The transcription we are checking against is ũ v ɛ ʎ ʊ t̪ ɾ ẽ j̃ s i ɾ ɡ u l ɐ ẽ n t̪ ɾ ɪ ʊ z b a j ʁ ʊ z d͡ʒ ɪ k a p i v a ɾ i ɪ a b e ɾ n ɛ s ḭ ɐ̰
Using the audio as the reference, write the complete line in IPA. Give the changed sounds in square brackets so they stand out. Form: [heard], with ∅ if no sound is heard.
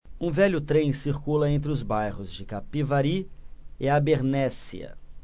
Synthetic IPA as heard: ũ v ɛ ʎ ʊ t̪ ɾ ẽ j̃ s i ɾ [k] u l ɐ ẽ n t̪ ɾ ɪ ʊ z b a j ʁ ʊ z d͡ʒ ɪ k a p i v a ɾ i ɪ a b e ɾ n ɛ s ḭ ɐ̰